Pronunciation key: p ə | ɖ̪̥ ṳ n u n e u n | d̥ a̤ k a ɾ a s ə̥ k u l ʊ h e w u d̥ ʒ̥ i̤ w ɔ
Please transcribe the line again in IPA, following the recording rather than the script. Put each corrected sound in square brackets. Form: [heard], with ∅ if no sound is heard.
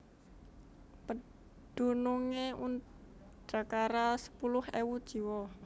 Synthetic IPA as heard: p ə | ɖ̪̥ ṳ n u [ŋ] e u n | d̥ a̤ k a ɾ a s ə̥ [p] u l ʊ h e w u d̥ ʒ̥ i̤ w ɔ